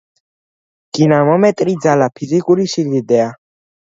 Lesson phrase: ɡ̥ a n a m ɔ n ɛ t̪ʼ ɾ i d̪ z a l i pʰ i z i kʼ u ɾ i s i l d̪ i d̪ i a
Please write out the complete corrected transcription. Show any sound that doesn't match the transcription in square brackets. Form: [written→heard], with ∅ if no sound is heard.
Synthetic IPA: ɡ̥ [a→i] n a m ɔ [n→m] ɛ t̪ʼ ɾ i d̪ z a l [i→a] pʰ i z i kʼ u ɾ i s i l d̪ i d̪ [i→ɛ] a